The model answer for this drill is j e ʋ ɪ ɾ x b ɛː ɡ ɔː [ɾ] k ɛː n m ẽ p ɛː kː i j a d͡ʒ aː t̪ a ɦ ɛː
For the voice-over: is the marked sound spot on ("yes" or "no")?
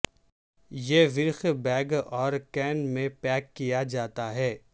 yes